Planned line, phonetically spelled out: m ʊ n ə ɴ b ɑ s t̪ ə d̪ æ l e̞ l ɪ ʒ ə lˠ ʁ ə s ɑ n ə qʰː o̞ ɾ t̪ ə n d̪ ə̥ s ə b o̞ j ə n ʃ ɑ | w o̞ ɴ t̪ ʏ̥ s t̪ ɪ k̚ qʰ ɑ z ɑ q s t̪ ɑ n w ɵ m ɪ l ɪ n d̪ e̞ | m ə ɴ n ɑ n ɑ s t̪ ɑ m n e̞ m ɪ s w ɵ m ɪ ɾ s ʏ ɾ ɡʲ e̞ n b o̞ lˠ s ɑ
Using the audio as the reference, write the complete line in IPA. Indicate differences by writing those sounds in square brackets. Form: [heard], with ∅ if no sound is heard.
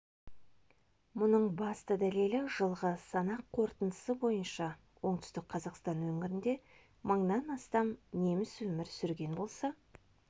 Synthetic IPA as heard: m ʊ n ə ɴ b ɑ s t̪ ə d̪ æ l e̞ l ɪ ʒ ə lˠ ʁ ə s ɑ n [ɑ] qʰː o̞ ɾ t̪ ə n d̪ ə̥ s ə b o̞ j ə n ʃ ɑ | w o̞ ɴ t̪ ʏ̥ s t̪ ɪ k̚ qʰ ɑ z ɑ q s t̪ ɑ n w ɵ [ŋ] ɪ [ɾ] ɪ n d̪ e̞ | m ə ɴ n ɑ n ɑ s t̪ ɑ m n e̞ m ɪ s w ɵ m ɪ ɾ s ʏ ɾ ɡʲ e̞ n b o̞ lˠ s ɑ